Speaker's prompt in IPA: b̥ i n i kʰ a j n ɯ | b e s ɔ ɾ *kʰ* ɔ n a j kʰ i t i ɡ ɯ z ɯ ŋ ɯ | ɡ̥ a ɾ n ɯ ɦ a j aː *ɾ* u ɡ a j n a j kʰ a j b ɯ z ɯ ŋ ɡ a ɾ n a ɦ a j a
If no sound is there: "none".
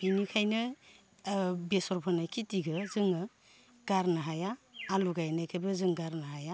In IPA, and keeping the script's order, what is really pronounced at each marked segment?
pʰ, l

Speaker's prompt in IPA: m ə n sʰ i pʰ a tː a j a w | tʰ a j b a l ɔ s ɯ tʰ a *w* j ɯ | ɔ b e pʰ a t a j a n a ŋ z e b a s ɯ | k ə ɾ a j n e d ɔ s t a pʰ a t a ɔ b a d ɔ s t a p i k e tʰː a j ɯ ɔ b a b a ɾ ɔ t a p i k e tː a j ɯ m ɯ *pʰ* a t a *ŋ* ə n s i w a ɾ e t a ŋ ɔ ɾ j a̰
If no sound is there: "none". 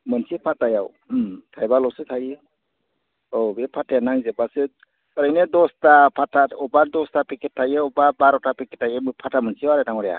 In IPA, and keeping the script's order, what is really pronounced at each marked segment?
none, pʰ, m

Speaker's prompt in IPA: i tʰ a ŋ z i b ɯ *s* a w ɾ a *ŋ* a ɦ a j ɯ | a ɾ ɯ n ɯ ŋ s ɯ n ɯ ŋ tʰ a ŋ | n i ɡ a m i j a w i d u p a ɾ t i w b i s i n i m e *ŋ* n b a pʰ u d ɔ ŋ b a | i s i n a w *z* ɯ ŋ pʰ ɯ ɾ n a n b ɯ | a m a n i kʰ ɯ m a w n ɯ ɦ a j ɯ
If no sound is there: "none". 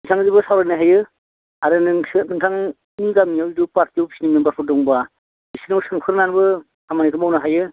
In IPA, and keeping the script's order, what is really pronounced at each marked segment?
s, n, none, s

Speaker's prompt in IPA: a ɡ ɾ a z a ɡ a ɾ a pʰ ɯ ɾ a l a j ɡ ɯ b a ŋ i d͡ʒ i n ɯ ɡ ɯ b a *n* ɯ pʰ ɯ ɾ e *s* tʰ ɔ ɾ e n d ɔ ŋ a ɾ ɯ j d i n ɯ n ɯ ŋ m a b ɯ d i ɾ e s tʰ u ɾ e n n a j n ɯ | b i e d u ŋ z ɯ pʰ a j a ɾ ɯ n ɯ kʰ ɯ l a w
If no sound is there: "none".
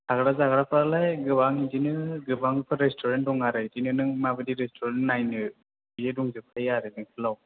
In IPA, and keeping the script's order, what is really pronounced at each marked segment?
ŋ, s

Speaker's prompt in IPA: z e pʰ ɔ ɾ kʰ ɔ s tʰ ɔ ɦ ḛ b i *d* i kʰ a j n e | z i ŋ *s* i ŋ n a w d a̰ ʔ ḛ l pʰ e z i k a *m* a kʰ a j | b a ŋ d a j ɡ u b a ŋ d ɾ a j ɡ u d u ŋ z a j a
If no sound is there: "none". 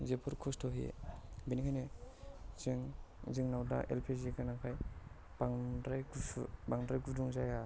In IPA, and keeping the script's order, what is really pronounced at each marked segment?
n, z, n

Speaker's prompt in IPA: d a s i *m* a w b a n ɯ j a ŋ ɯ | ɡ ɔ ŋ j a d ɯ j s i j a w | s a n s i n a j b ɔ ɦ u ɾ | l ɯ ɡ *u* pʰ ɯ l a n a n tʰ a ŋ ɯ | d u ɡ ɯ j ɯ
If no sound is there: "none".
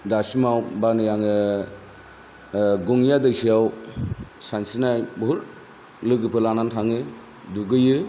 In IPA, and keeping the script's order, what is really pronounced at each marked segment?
m, ɯ

